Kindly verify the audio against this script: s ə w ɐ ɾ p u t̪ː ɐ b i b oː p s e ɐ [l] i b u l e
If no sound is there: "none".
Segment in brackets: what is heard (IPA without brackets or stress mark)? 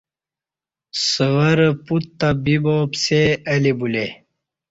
l